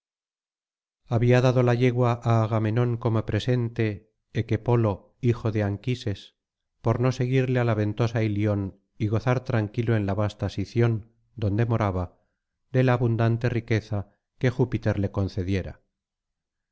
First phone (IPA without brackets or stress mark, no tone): a